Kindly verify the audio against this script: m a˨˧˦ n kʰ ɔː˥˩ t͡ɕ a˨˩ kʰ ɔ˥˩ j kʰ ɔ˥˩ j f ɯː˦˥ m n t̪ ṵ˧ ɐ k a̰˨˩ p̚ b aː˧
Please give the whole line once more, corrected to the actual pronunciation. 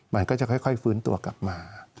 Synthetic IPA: m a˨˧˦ n k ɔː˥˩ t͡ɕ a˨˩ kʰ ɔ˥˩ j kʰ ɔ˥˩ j f ɯː˦˥ n t̪ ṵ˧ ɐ k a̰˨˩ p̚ m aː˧